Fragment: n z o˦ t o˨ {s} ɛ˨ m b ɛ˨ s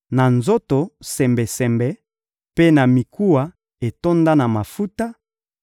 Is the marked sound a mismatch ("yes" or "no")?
no